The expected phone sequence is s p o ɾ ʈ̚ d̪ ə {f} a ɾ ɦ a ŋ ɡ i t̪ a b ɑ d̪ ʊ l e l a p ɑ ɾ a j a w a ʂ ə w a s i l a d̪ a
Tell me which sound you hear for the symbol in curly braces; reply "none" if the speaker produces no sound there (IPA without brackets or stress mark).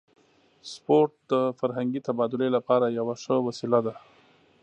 f